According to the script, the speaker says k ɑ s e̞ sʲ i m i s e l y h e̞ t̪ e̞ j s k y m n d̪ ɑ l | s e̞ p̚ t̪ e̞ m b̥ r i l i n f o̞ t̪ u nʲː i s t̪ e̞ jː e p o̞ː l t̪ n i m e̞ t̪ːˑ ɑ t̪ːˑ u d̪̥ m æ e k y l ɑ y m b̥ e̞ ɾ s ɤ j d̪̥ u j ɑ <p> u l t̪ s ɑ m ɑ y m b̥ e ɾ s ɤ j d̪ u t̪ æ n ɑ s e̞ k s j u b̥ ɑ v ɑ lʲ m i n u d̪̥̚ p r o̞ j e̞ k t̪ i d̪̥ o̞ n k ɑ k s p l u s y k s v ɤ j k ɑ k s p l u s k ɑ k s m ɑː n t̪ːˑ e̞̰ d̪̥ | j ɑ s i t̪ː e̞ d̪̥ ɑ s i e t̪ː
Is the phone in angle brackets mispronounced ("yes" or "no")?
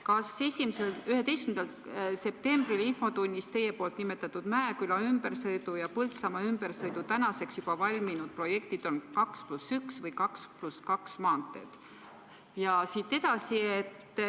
no